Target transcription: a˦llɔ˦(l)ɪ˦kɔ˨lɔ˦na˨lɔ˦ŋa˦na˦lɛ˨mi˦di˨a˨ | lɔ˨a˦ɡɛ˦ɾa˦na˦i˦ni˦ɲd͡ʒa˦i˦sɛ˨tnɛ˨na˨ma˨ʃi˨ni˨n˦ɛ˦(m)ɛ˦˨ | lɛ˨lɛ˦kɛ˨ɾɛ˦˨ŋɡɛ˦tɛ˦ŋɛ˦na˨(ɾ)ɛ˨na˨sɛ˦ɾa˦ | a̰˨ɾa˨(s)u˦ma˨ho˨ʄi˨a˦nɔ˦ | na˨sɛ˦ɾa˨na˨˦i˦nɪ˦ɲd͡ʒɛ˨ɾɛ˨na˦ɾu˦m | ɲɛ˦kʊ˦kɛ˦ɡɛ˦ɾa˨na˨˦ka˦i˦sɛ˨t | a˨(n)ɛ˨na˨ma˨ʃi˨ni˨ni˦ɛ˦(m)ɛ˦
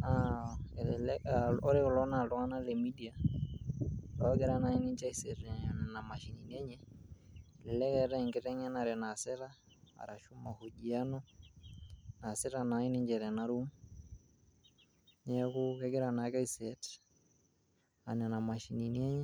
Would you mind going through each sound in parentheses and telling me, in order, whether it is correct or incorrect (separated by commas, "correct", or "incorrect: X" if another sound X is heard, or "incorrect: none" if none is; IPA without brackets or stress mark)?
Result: incorrect: ɾ, incorrect: ɲ, correct, incorrect: ʃ, correct, incorrect: ɲ